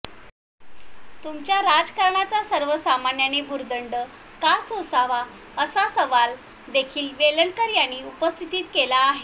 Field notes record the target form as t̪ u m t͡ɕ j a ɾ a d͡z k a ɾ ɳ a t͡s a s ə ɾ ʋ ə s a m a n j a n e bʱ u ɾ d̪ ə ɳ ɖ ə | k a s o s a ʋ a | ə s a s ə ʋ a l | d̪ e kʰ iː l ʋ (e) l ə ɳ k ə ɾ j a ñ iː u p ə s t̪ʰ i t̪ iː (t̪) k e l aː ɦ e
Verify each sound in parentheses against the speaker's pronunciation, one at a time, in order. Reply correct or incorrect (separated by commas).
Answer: correct, correct